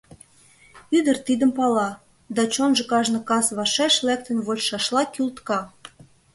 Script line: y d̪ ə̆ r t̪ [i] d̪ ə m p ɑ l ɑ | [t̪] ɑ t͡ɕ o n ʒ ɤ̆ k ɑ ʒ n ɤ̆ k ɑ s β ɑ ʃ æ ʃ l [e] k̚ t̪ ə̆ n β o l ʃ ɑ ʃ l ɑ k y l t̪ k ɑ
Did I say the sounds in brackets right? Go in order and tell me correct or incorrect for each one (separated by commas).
correct, incorrect, incorrect